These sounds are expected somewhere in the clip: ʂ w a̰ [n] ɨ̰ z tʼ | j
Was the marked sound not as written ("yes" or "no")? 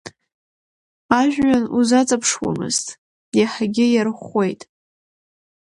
yes